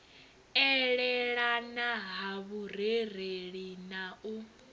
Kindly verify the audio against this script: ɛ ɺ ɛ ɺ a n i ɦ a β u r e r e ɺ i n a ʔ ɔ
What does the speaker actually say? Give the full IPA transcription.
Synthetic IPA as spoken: ɛ ɺ ɛ ɺ a n a ɦ a β u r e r e ɺ i n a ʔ u